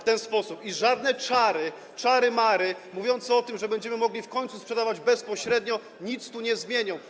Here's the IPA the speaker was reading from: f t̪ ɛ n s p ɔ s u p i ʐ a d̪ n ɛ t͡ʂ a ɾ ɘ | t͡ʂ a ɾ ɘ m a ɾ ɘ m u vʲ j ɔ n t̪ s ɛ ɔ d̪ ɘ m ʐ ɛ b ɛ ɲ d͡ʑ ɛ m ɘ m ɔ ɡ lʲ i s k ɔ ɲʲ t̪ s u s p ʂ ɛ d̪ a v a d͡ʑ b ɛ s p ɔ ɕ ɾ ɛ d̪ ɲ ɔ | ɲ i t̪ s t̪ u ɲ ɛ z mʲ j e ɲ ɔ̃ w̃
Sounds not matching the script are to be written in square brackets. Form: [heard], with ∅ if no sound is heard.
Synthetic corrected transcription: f t̪ ɛ n s p ɔ s u p i ʐ a d̪ n ɛ t͡ʂ a ɾ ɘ | t͡ʂ a ɾ ɘ m a ɾ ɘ m u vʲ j ɔ n t̪ s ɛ ɔ [t̪] ɘ m ʐ ɛ b ɛ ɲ d͡ʑ ɛ m ɘ m ɔ ɡ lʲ i [f] k ɔ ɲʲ t̪ s u s p ʂ ɛ d̪ a v a d͡ʑ b ɛ s p ɔ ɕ ɾ ɛ d̪ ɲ ɔ | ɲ i t̪ s t̪ u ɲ ɛ z mʲ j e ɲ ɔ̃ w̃